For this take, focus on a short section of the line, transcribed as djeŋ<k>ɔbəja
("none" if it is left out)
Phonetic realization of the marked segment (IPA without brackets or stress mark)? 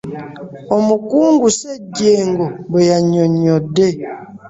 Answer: ɡ